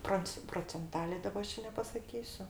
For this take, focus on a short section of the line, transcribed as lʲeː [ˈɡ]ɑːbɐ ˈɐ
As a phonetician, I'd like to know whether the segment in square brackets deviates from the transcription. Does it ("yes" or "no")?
yes